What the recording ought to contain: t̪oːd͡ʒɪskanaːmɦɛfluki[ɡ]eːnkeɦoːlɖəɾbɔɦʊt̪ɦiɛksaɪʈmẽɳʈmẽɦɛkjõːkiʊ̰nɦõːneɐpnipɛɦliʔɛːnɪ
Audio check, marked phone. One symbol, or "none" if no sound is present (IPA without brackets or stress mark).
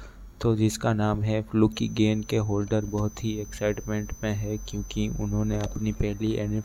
ɡ